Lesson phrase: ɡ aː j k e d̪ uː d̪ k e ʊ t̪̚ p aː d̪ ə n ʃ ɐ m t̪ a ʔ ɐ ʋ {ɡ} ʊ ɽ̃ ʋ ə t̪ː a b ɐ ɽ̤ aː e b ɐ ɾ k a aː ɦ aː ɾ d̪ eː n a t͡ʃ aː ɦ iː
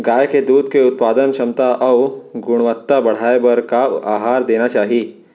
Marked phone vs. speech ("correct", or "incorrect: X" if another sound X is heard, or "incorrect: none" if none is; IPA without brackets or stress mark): correct